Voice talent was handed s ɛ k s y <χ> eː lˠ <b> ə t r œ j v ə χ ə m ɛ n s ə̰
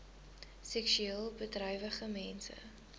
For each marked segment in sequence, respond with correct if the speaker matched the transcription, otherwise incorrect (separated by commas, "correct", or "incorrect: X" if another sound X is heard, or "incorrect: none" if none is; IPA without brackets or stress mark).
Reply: incorrect: none, correct